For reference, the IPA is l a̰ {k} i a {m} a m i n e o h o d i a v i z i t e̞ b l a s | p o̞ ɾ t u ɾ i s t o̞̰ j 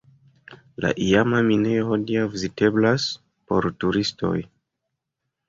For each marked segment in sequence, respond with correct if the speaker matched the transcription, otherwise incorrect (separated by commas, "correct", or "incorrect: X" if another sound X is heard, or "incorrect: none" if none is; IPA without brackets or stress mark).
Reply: incorrect: ʔ, correct